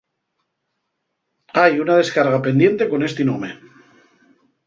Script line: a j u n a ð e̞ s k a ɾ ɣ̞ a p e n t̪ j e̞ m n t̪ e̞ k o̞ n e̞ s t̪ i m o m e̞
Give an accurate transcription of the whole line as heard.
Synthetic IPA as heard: a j u n a ð e̞ s k a ɾ ɣ̞ a p e n d̪ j e̞ n t̪ e̞ k o̞ n e̞ s t̪ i n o m e̞